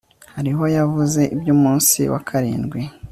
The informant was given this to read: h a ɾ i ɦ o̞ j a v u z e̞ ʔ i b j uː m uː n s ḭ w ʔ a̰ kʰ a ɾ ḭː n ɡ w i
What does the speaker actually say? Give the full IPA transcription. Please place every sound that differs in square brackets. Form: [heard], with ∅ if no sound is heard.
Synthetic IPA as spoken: h a ɾ i ɦ o̞ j a v u z e̞ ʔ i b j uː m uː n s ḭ w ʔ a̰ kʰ a ɾ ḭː n ɡ w i